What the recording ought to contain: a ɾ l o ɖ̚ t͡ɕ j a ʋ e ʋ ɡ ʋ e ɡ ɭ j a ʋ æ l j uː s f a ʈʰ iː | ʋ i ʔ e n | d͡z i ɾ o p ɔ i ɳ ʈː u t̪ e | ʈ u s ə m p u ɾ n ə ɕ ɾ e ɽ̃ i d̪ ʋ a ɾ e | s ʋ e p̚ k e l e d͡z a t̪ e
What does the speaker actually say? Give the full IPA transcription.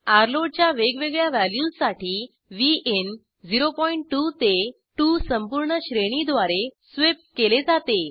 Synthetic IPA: a ɾ l o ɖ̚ t͡ɕ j a ʋ e ɡ ʋ e ɡ ɭ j a ʋ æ l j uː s s a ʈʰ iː | ʋ i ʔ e n | d͡z i ɾ o p ɔ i ɳ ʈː u t̪ e | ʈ u s ə m p u ɾ ɳ ə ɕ ɾ e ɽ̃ i d̪ ʋ a ɾ e | s ʋ e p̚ k e l e d͡z a t̪ e